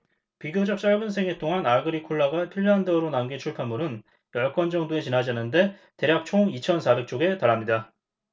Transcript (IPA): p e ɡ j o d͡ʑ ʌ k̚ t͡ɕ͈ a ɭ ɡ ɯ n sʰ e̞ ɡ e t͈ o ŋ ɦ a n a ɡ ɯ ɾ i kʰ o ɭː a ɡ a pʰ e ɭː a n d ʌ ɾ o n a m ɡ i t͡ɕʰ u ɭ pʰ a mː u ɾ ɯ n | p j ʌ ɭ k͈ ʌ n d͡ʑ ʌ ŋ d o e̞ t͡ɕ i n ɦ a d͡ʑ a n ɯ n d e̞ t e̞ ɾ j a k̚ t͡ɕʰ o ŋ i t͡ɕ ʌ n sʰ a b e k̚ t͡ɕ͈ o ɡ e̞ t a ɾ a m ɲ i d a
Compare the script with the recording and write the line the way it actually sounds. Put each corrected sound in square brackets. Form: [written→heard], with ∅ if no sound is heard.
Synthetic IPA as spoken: p [e→i] ɡ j o d͡ʑ ʌ k̚ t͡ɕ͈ a ɭ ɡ ɯ n sʰ e̞ [ɡ→ŋ] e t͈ o ŋ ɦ a n a ɡ ɯ ɾ i kʰ o ɭː a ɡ a pʰ [e→i] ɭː a n d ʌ ɾ o n a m ɡ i t͡ɕʰ u ɭ pʰ a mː u ɾ ɯ n | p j ʌ ɭ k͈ ʌ n d͡ʑ ʌ ŋ d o e̞ t͡ɕ i n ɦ a d͡ʑ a n ɯ n d e̞ t e̞ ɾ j a k̚ t͡ɕʰ o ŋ i [t͡ɕ→t͡ɕʰ] ʌ n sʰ a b e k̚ t͡ɕ͈ o ɡ e̞ t a ɾ a m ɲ i d a